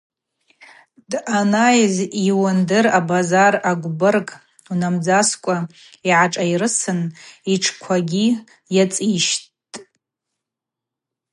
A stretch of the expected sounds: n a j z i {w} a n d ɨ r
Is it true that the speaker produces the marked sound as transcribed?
yes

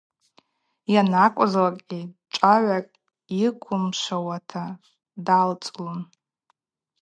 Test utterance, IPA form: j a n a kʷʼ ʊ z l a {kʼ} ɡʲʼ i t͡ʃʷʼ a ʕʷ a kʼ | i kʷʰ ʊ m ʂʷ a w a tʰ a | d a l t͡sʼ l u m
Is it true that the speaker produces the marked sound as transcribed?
yes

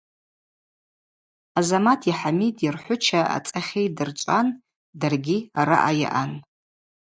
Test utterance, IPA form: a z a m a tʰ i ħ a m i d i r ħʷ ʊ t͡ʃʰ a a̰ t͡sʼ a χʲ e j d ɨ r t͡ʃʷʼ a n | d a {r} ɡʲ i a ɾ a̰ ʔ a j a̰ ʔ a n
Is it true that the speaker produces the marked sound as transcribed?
yes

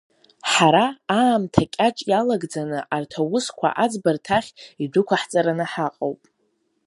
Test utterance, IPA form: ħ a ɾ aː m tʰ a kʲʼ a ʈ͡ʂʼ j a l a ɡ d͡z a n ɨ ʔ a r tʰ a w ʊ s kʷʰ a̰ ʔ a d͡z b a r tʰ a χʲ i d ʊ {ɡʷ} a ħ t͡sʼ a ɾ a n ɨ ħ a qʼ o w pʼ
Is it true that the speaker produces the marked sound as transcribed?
no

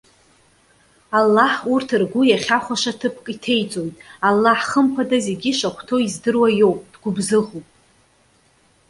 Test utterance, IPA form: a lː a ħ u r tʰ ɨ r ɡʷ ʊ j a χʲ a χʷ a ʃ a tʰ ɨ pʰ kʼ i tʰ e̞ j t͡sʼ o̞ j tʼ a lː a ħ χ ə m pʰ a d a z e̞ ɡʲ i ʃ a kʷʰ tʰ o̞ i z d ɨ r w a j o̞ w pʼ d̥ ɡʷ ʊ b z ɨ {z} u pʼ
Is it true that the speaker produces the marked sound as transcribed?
no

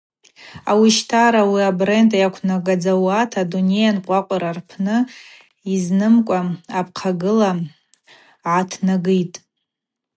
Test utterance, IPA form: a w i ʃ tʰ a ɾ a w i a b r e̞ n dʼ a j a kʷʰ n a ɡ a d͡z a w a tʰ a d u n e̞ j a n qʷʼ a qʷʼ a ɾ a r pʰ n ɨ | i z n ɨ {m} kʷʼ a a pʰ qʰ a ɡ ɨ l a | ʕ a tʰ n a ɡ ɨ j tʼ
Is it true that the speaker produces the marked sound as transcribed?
yes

